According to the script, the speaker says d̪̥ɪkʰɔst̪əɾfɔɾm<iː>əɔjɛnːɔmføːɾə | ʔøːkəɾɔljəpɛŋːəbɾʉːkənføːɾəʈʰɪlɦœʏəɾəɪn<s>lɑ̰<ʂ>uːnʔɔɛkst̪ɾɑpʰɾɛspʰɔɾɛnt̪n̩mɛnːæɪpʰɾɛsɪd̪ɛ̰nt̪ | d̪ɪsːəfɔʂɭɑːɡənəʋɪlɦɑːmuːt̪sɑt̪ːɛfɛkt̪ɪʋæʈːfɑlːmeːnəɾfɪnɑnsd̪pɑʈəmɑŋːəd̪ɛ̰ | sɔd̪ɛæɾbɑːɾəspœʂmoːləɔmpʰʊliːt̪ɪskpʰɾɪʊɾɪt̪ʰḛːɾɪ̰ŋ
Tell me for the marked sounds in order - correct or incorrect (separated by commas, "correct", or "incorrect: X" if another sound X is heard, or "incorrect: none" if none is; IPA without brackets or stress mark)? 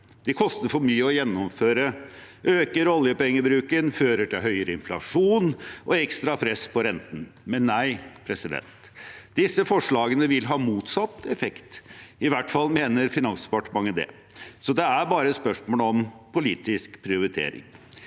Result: incorrect: yː, incorrect: f, correct